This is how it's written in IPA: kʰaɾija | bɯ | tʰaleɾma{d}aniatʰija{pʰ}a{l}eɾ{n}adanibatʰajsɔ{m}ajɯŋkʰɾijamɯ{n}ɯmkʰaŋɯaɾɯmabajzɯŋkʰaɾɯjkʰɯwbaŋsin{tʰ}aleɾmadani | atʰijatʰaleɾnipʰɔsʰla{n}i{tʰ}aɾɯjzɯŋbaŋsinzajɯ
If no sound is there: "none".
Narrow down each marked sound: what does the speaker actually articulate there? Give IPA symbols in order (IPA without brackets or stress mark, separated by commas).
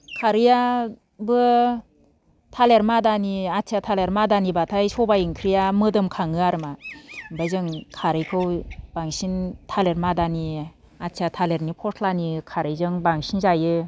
d, tʰ, l, m, b, d, tʰ, n, kʰ